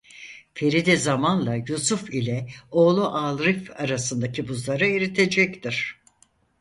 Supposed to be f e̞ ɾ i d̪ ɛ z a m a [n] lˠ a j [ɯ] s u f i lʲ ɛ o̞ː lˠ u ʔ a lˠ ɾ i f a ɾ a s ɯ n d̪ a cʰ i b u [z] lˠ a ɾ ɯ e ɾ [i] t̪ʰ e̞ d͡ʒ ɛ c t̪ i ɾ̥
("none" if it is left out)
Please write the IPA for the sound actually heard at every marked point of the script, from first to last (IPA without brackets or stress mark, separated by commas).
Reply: n, u, z, i